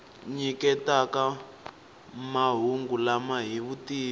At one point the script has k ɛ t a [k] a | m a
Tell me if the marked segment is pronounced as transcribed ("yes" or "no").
yes